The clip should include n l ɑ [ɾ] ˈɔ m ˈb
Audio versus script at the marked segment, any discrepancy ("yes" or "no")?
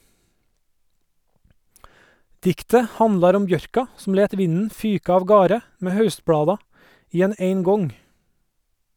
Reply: no